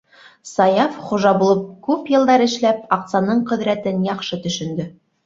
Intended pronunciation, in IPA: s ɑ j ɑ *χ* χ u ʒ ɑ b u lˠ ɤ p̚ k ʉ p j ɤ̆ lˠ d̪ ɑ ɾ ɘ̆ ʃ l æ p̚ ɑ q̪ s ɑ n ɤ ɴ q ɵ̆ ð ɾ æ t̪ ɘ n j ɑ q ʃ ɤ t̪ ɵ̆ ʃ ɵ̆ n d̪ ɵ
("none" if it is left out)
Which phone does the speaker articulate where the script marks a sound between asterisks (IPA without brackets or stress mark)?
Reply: f